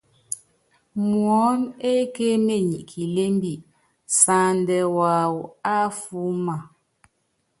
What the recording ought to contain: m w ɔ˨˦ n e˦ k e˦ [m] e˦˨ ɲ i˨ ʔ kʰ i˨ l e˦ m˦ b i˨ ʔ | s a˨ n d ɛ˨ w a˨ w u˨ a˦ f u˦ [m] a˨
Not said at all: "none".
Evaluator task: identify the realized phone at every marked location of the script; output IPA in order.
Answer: m, m

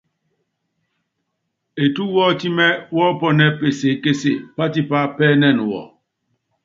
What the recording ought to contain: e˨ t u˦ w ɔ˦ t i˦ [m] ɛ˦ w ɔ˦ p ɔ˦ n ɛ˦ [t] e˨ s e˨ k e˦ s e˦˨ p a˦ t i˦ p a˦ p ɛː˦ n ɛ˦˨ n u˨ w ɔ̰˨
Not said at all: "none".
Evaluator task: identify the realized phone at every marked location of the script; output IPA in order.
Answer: m, p

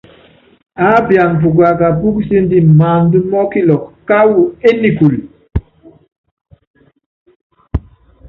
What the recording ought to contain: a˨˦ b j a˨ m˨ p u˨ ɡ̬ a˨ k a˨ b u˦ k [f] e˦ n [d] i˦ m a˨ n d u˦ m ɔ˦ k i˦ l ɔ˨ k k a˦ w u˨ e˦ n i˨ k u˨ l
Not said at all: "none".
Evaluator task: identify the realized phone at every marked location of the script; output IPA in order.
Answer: s, d

